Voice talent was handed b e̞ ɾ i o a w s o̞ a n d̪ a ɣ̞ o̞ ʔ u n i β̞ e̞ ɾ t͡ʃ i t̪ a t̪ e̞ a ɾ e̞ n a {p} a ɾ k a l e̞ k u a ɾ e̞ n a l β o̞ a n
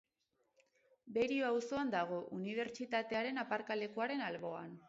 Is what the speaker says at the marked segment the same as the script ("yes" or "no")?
yes